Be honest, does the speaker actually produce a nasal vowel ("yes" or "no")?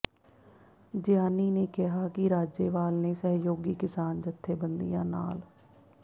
yes